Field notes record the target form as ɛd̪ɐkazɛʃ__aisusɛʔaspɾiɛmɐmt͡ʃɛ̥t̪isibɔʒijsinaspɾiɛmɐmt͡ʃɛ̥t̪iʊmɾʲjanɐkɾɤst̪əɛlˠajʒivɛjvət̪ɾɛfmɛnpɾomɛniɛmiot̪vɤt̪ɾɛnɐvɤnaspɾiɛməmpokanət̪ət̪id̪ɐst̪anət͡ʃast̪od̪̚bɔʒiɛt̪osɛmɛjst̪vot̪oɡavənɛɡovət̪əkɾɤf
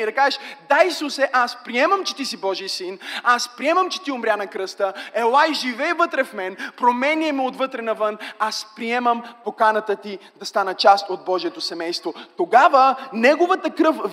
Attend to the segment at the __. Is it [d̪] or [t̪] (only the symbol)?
d̪